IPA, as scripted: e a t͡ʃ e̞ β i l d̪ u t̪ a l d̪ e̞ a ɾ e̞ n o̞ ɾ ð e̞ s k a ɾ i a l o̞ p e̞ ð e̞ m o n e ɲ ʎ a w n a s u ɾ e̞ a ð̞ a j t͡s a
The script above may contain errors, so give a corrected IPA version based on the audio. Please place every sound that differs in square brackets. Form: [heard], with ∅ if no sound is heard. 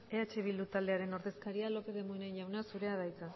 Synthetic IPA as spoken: e a t͡ʃ e̞ β i l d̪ u t̪ a l d̪ e̞ a ɾ e̞ n o̞ ɾ ð e̞ s k a ɾ i a l o̞ p e̞ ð e̞ m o n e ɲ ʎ a w n a s u ɾ e̞ a ð̞ a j t͡s a

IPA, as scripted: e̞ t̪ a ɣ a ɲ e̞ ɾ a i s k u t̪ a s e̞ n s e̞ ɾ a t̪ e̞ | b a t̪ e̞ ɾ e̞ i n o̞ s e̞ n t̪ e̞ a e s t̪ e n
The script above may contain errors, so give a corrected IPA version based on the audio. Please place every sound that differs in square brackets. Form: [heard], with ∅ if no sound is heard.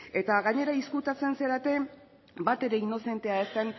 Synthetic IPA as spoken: e̞ t̪ a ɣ a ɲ e̞ ɾ a i s k u t̪ a [t͡s] e̞ n s e̞ ɾ a t̪ e̞ | b a t̪ e̞ ɾ e̞ i n o̞ s e̞ n t̪ e̞ a e s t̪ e n

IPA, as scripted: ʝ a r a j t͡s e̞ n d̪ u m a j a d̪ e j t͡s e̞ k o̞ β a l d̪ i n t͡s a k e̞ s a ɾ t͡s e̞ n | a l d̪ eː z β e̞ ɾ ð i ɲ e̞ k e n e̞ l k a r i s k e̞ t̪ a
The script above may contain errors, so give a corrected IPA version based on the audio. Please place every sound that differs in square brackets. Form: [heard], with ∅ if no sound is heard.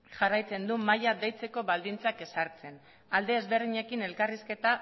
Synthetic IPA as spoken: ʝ a r a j t͡s e̞ n d̪ u m a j a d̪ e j t͡s e̞ k o̞ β a l d̪ i n t͡s a k e̞ s a ɾ t͡s e̞ n | a l d̪ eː z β e̞ ɾ ð i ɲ e̞ k [i] n e̞ l k a r i s k e̞ t̪ a

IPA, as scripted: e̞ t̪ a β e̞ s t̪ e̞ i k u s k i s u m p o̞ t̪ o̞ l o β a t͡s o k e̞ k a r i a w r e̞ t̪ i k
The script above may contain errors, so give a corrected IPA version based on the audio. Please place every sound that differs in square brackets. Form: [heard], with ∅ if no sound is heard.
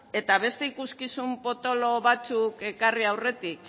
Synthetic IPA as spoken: e̞ t̪ a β e̞ s t̪ e̞ i k u s k i s u m p o̞ t̪ o̞ l o β a t͡s [u] k e̞ k a r i a w r e̞ t̪ i k

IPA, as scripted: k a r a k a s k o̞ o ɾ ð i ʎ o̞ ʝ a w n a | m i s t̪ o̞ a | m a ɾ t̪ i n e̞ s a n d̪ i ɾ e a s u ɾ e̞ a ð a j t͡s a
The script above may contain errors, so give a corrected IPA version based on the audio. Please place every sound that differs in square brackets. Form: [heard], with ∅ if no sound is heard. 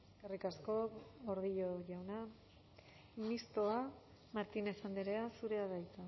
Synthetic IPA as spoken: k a r [i] k a s k o̞ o ɾ ð i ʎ o̞ ʝ a w n a | m i s t̪ o̞ a | m a ɾ t̪ i n e̞ s a n d̪ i ɾ e a s u ɾ e̞ a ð a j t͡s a

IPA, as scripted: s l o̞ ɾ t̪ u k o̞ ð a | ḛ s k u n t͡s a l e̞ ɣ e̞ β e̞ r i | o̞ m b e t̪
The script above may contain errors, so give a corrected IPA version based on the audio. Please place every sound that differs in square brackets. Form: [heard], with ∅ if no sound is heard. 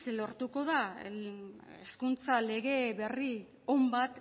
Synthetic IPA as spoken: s l o̞ ɾ t̪ u k o̞ ð a | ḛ s k u n t͡s a l e̞ ɣ e̞ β e̞ r i | o̞ m b [a] t̪

